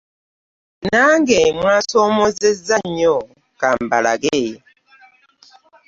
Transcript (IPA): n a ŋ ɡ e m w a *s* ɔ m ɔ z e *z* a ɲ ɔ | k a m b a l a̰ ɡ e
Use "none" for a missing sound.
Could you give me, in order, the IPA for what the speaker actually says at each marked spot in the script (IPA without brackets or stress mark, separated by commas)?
s, z